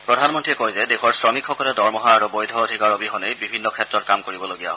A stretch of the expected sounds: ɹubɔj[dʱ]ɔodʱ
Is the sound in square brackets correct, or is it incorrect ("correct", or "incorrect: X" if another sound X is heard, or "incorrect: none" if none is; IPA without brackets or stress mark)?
correct